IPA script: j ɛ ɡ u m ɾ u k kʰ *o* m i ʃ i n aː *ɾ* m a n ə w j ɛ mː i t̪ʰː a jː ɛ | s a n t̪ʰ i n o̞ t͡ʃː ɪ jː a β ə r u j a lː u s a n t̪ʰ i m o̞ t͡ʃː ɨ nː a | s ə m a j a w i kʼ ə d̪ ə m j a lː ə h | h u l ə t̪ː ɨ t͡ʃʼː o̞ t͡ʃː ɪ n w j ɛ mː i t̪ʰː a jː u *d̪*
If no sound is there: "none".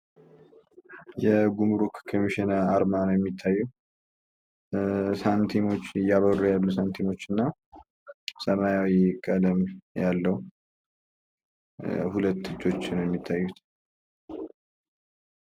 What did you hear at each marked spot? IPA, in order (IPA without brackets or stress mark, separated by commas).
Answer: o, ɾ, t̪